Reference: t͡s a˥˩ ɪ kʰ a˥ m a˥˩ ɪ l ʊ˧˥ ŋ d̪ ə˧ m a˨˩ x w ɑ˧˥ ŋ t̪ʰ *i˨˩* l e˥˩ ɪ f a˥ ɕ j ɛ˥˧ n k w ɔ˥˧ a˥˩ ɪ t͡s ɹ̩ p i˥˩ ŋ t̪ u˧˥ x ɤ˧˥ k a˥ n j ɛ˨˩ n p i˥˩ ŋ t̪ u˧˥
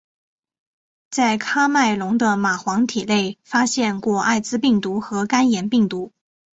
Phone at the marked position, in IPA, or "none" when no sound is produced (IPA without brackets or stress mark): i˨˩